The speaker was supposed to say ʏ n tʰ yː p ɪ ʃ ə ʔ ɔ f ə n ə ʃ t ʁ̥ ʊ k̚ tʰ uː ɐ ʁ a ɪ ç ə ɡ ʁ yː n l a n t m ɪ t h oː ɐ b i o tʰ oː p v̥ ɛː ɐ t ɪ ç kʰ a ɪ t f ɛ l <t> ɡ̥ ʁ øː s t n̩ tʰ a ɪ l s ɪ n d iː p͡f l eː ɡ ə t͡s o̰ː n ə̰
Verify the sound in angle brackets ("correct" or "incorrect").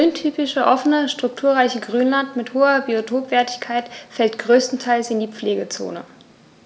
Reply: correct